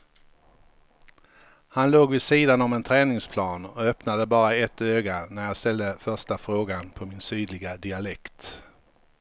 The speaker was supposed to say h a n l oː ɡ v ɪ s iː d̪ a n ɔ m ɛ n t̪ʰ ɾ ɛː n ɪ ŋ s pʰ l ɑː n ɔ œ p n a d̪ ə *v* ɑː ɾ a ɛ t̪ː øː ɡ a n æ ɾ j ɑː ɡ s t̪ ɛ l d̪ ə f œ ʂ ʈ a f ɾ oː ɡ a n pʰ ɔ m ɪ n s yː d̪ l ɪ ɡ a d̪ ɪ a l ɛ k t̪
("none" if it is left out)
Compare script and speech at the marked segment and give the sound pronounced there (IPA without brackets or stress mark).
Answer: b